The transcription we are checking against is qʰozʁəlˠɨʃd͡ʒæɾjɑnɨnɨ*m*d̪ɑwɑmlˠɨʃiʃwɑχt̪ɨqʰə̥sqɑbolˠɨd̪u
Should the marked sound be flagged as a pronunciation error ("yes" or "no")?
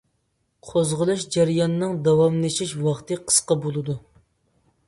yes